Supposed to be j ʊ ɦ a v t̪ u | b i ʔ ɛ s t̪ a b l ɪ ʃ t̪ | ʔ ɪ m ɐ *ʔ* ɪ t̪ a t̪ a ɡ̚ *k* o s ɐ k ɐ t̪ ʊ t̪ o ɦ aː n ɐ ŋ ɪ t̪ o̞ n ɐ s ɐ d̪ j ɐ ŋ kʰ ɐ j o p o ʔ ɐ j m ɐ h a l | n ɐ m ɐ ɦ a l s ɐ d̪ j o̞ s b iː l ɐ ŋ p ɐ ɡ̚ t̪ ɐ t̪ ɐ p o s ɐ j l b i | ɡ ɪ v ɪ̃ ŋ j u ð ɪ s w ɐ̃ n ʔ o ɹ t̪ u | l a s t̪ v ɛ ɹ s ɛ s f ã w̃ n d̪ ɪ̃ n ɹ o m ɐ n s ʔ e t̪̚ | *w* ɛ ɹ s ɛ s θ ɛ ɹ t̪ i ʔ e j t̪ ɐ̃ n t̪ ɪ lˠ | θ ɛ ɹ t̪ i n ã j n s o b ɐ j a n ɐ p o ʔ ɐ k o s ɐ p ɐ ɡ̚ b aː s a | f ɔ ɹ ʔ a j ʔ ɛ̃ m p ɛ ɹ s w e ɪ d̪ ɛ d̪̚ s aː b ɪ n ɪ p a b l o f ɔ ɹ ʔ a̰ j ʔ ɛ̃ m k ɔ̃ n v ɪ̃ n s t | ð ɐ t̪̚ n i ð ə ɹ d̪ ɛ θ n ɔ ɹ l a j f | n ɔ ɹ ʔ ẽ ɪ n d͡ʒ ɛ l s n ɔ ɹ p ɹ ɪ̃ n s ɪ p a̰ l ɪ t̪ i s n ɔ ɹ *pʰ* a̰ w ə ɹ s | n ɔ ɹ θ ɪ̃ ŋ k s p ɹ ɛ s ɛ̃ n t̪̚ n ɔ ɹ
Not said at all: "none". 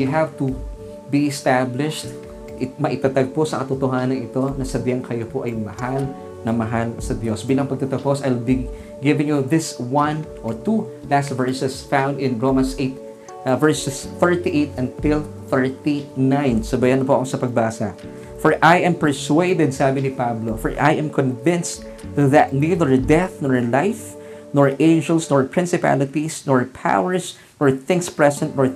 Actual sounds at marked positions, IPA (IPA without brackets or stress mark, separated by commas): ʔ, p, v, pʰ